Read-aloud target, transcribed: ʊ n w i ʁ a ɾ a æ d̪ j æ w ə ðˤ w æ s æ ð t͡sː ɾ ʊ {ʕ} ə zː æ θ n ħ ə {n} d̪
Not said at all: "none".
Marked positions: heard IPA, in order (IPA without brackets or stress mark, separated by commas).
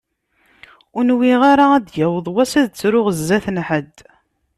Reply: ʁ, none